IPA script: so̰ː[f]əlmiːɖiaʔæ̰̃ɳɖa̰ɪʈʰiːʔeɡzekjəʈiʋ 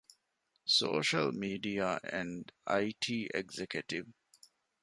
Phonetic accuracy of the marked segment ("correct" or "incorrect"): incorrect